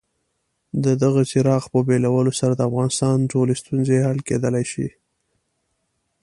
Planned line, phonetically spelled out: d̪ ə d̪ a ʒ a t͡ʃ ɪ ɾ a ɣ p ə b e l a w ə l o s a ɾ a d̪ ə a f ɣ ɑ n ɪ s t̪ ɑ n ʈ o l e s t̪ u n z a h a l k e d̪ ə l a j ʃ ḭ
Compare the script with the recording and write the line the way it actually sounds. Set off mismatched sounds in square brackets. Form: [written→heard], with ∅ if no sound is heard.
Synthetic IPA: d̪ ə d̪ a [ʒ→ɣ] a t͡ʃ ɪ ɾ [a→ɑ] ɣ p ə b e l a w ə l o s a ɾ a d̪ ə a f ɣ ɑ n ɪ s t̪ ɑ n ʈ o l e s t̪ u n z [a→e] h a l k e d̪ ə l a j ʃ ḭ